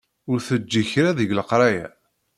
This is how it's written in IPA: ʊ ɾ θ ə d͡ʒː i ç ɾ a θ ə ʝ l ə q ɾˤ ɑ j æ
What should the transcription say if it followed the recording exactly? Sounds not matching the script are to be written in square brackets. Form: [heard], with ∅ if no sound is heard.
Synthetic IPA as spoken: ʊ ɾ θ ə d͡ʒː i ç ɾ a [ð] ə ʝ l ə q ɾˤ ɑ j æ